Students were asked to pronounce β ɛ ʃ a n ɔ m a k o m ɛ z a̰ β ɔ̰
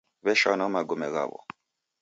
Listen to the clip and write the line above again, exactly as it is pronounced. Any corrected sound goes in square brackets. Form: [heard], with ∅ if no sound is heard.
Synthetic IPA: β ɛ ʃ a n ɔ m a [ɡ] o m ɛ [ɣ] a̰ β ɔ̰

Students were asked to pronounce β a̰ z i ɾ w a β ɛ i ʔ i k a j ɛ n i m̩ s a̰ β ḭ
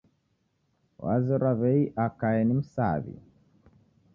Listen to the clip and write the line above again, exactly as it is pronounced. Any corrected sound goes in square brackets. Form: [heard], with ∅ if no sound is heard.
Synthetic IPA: [w] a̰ z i ɾ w a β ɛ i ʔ [a] k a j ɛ n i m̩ s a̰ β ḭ

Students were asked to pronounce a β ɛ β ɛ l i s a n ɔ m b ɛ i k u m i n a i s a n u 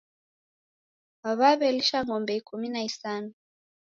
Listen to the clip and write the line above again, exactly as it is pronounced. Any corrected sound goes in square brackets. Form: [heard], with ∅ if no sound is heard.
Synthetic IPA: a β [a] β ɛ l i [ʃ] a [ŋ] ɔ m b ɛ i k u m i n a i s a n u

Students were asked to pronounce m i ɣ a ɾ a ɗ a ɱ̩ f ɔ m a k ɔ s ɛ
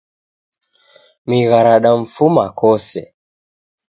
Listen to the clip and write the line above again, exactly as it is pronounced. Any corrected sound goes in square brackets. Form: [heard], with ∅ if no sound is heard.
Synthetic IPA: m i ɣ a ɾ a ɗ a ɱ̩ f [u] m a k ɔ s ɛ

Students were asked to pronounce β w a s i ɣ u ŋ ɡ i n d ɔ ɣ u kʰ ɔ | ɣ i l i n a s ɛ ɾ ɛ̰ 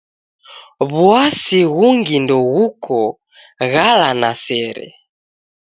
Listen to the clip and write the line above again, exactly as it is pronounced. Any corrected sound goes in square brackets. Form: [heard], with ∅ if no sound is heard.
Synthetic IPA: β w a s i ɣ u ŋ ɡ i n d ɔ ɣ u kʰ ɔ | ɣ [a] l [a] n a s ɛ ɾ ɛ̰

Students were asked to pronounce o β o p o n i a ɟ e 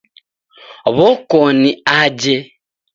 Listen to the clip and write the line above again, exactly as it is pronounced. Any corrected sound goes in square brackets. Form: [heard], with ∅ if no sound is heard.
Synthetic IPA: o β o [k] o n i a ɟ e

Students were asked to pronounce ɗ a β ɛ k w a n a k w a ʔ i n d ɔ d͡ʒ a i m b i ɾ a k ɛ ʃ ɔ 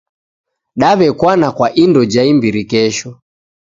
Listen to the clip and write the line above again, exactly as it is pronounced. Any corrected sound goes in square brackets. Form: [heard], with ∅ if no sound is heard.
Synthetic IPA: ɗ a β ɛ k w a n a k w a ʔ i n d ɔ d͡ʒ a i m b i ɾ [i] k ɛ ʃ ɔ

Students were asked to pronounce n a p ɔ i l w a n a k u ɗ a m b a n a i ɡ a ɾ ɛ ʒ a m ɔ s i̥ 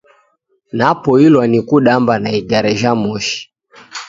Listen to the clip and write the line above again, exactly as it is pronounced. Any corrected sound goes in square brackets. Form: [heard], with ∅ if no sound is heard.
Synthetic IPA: n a p ɔ i l w a n [i] k u ɗ a m b a n a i ɡ a ɾ ɛ ʒ a m ɔ [ʃ] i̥

